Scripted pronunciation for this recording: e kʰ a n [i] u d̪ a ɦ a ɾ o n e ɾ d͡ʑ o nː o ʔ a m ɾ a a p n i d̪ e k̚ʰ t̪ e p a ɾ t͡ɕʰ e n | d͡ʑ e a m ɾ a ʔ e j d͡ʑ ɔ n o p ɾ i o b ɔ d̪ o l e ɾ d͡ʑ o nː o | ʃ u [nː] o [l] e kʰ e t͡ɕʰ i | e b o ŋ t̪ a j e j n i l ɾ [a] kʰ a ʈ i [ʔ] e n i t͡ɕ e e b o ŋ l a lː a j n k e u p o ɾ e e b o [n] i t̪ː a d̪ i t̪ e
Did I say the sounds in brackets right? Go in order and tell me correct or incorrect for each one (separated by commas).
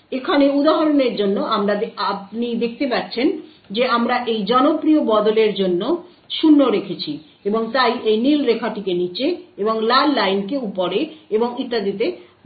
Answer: incorrect, correct, incorrect, incorrect, incorrect, incorrect